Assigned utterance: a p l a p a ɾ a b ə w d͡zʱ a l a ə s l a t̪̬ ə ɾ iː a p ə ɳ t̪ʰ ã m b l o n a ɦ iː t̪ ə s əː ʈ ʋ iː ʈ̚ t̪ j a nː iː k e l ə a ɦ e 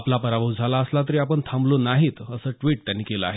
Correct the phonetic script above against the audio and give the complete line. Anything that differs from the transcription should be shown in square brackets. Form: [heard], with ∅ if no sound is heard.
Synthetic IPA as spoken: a p l a p [ə] ɾ a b ə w d͡zʱ a l a ə s l a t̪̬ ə ɾ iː a p ə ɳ t̪ʰ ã m b l o n a ɦ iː t̪ ə s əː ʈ ʋ iː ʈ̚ t̪ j a nː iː k e l ə a ɦ e

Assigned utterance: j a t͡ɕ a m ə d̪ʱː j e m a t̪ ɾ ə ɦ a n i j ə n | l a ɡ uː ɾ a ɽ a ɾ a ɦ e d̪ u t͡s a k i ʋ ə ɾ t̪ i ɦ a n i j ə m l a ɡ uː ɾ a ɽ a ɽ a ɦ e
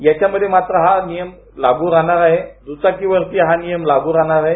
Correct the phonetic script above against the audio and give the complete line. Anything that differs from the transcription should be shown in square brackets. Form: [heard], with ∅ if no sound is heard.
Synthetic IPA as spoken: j a t͡ɕ a m ə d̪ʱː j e m a t̪ ɾ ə ɦ a n i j ə [m] | l a ɡ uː ɾ a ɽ a ɾ a ɦ e d̪ u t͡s a k i ʋ ə ɾ t̪ i ɦ a n i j ə m l a ɡ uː ɾ a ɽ a [ɾ] a ɦ e

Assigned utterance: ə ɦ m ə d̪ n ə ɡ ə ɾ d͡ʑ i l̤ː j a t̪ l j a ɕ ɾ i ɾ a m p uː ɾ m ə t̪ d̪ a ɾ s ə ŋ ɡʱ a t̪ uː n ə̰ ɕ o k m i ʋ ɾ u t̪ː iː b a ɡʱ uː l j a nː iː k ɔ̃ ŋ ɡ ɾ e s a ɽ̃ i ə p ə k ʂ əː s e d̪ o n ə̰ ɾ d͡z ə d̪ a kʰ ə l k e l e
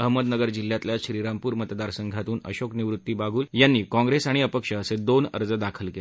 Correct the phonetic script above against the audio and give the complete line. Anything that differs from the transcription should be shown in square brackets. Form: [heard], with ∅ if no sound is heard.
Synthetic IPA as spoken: ə ɦ m ə d̪ n ə ɡ ə ɾ d͡ʑ i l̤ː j a t̪ l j a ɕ ɾ i ɾ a m p uː ɾ m ə t̪ d̪ a ɾ s ə ŋ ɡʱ a t̪ uː n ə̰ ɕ o k [n] i ʋ ɾ u t̪ː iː b a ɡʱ uː l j a nː iː k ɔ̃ ŋ ɡ ɾ e s a ɽ̃ i ə p ə k ʂ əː s e d̪ o n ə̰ ɾ d͡z ə d̪ a kʰ ə l k e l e

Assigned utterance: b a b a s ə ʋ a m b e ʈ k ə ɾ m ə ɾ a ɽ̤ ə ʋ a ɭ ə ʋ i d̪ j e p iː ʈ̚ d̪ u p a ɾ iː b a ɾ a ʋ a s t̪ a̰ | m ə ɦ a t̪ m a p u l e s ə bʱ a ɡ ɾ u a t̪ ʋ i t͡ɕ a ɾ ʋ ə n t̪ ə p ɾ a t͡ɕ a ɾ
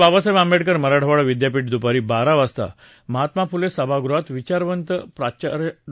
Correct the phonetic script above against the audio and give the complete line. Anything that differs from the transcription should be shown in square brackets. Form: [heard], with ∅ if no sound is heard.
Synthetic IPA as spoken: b a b a s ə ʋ a m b e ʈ k ə ɾ m ə ɾ a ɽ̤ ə ʋ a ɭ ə ʋ i d̪ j [a] p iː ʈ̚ d̪ u p a ɾ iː b a ɾ a ʋ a s t̪ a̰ | m ə ɦ a t̪ m a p u l e s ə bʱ a ɡ ɾ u a t̪ ʋ i t͡ɕ a ɾ ʋ ə n t̪ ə p ɾ a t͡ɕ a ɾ

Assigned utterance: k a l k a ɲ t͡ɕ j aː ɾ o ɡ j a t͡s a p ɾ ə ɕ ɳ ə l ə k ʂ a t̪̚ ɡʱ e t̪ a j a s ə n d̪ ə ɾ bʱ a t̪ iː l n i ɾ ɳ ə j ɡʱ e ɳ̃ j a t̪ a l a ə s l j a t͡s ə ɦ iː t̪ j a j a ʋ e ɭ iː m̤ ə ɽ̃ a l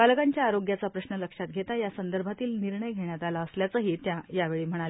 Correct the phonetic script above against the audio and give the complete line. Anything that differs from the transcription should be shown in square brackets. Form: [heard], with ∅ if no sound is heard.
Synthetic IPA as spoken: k a l k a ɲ t͡ɕ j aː ɾ o ɡ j a t͡s a p ɾ ə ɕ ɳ ə l ə k ʂ a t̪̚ ɡʱ e t̪ a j a s ə n d̪ ə ɾ bʱ a t̪ iː l n i ɾ ɳ ə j ɡʱ e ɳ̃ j a t̪ a l a ə s l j a t͡s ə ɦ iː t̪ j a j a ʋ e ɭ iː m̤ ə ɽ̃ a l

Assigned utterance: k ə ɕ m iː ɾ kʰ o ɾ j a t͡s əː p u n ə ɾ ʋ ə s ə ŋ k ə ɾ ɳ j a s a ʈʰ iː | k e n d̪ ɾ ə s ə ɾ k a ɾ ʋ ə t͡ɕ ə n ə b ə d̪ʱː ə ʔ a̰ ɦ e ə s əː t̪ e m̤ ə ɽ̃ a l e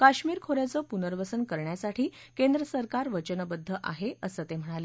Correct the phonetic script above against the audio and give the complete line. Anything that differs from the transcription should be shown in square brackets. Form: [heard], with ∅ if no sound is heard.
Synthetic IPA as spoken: k [a] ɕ m iː ɾ kʰ o ɾ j a t͡s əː p u n ə ɾ ʋ ə s ə [n] k ə ɾ ɳ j a s a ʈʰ iː | k e n d̪ ɾ ə s ə ɾ k a ɾ ʋ ə t͡ɕ ə n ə b ə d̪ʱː ə ʔ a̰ ɦ e ə s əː t̪ e m̤ ə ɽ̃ a l e

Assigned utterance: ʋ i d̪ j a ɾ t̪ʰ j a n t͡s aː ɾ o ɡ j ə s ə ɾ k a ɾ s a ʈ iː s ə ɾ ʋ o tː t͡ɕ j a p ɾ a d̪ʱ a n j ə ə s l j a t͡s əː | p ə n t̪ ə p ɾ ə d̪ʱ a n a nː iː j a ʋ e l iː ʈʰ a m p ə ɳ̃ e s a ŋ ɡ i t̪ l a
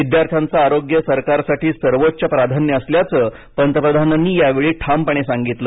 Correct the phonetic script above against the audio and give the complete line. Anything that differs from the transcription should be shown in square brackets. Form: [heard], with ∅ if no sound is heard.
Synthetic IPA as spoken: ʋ i d̪ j a ɾ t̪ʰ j a n t͡s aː ɾ o ɡ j ə s ə ɾ k a ɾ s a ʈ iː s ə ɾ ʋ o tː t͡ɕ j a p ɾ a d̪ʱ a n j ə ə s l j a t͡s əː | p ə n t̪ ə p ɾ ə d̪ʱ a n a nː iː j a ʋ e [ɭ] iː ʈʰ a m p ə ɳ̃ e s a ŋ ɡ i t̪ l [ə]

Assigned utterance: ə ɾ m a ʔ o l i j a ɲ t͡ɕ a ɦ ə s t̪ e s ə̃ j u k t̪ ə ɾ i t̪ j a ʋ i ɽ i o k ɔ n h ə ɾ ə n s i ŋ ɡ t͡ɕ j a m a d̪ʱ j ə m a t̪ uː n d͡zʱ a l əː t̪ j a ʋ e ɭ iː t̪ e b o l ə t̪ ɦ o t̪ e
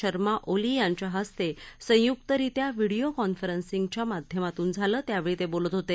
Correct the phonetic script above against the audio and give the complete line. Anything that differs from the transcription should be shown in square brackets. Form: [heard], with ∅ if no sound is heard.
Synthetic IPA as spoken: ə ɾ m a ʔ o l i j a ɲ t͡ɕ a ɦ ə s t̪ e s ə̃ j u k t̪ ə ɾ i t̪ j a ʋ i ɽ i o k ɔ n [f] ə ɾ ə n s i ŋ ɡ t͡ɕ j a m a d̪ʱ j ə m a t̪ uː n d͡zʱ a l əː t̪ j a ʋ e ɭ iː t̪ e b o l ə t̪ ɦ o t̪ e

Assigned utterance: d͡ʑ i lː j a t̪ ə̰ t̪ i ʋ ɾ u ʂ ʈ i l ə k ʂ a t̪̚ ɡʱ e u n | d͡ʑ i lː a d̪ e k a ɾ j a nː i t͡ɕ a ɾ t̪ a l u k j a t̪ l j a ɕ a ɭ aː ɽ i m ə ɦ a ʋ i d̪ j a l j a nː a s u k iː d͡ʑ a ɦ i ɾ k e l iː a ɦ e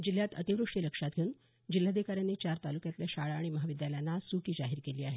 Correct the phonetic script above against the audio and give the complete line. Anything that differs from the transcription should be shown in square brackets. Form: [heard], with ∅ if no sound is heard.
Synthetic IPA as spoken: d͡ʑ i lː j a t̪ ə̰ t̪ i ʋ ɾ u ʂ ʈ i l ə k ʂ a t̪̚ ɡʱ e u n | d͡ʑ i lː a d̪ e k a ɾ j a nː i t͡ɕ a ɾ t̪ a l u k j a t̪ l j a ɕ a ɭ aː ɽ i m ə ɦ a ʋ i d̪ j a l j a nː a s u k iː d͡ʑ a ɦ i ɾ k e l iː a ɦ e

